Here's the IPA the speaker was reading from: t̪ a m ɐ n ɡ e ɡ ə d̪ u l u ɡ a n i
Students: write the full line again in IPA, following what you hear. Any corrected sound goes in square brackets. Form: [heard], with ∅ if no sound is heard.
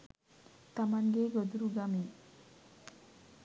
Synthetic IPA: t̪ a m [a] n ɡ e ɡ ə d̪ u [ɾ] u ɡ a [m] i